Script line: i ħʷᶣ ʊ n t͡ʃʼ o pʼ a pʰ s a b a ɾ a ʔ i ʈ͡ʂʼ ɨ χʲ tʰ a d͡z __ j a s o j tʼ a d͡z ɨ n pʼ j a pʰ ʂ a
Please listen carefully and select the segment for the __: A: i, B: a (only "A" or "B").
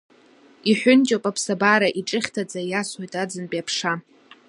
B